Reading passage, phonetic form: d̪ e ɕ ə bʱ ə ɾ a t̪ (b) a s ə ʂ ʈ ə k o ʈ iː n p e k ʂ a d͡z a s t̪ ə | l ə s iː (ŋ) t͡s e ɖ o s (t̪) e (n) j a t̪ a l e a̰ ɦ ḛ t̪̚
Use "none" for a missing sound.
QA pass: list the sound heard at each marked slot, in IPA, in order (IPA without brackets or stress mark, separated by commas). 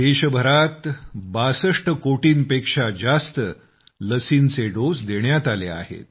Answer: b, n, d̪, ɳ